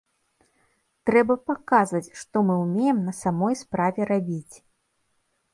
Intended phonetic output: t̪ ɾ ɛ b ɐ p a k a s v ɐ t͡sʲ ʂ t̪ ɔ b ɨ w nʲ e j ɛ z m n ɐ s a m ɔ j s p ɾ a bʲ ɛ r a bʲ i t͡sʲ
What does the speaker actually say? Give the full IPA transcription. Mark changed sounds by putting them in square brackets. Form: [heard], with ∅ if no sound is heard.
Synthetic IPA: t̪ ɾ ɛ b ɐ p a k a [z] v ɐ t͡sʲ ʂ t̪ ɔ [m] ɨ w [mʲ] e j ɛ [∅] m n ɐ s a m ɔ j s p ɾ a [vʲ] ɛ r a bʲ i t͡sʲ